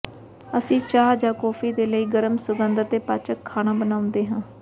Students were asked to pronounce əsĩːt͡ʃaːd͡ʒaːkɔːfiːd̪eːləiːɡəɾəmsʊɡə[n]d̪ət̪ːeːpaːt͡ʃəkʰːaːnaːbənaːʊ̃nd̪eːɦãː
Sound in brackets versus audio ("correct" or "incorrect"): correct